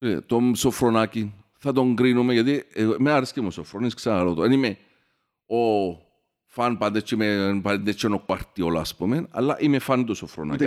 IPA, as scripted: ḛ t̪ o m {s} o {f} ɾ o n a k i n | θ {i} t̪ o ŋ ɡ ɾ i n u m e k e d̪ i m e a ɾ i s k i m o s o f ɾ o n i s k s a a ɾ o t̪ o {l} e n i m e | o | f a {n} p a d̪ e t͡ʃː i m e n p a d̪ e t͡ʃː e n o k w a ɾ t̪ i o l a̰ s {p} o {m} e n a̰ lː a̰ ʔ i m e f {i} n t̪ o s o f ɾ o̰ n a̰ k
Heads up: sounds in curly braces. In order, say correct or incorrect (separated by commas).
correct, correct, incorrect, incorrect, correct, correct, correct, incorrect